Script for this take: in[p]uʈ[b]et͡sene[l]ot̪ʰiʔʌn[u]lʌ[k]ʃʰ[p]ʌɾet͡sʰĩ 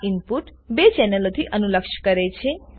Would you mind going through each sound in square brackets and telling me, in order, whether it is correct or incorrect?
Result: correct, correct, correct, correct, correct, incorrect: k

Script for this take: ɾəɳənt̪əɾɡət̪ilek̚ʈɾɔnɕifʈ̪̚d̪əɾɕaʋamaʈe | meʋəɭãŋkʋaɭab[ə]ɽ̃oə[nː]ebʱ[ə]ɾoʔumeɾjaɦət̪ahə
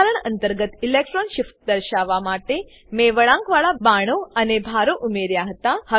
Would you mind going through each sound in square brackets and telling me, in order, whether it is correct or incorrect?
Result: incorrect: a, incorrect: n, incorrect: a

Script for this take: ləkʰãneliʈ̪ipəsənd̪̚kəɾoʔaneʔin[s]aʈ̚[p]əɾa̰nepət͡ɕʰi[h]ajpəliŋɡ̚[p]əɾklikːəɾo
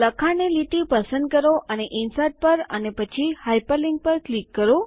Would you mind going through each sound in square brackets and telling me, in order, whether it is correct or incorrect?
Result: correct, correct, correct, correct

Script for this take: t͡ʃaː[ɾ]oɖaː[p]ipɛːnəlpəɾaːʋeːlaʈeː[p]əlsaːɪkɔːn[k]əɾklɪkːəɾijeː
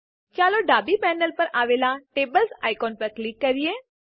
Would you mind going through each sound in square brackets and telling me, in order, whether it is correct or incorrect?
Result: incorrect: l, incorrect: b, incorrect: b, incorrect: p

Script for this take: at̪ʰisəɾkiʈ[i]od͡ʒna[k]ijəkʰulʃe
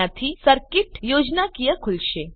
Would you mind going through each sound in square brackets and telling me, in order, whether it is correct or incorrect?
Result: incorrect: j, correct

